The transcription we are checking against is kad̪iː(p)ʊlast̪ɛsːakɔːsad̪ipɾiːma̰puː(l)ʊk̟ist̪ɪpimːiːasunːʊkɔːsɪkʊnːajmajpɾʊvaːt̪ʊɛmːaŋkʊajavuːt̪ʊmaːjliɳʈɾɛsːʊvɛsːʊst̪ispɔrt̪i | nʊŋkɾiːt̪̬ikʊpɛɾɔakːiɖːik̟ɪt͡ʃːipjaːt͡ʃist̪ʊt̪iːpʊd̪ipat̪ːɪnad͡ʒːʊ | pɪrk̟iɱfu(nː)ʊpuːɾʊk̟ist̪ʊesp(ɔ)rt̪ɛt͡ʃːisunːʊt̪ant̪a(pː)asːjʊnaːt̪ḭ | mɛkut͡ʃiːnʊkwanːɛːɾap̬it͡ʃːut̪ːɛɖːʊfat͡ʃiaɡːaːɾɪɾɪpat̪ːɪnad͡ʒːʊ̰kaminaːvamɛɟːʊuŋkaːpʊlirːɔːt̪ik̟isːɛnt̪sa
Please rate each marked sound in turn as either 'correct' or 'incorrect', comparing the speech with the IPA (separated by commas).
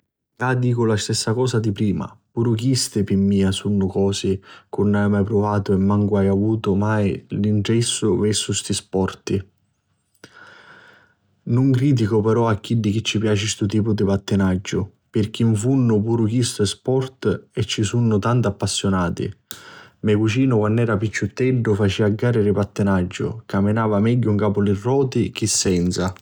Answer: incorrect, incorrect, correct, correct, correct